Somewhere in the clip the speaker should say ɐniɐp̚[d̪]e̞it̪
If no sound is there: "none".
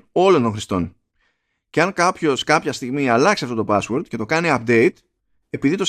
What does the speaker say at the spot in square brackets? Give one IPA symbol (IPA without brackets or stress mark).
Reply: d̪